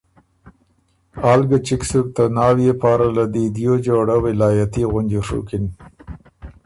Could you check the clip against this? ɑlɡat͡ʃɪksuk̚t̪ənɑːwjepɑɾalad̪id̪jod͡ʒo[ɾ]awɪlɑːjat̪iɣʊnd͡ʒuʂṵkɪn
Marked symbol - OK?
no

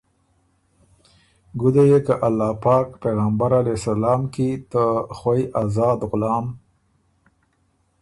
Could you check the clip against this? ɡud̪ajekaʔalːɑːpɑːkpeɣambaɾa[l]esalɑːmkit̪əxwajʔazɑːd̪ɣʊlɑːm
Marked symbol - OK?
yes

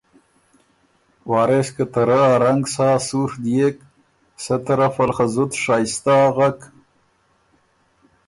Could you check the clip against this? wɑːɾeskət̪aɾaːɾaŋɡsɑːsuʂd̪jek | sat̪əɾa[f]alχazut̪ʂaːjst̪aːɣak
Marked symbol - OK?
yes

